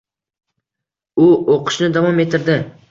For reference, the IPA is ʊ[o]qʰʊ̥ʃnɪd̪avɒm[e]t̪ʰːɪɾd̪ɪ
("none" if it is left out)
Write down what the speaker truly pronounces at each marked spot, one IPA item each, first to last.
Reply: o, e

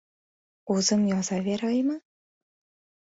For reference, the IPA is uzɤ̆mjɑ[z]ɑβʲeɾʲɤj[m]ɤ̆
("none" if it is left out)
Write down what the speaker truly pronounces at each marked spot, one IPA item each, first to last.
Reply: z, m

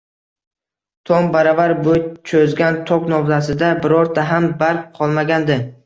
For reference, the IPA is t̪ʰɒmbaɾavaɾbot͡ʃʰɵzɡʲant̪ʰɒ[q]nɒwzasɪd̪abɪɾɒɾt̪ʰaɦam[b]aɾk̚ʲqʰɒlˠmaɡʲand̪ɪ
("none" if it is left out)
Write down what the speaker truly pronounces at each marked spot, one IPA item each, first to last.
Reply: k, b

